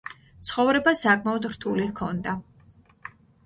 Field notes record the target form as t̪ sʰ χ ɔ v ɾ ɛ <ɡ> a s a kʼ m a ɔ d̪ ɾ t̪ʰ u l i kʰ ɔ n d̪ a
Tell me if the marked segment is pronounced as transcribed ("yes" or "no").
no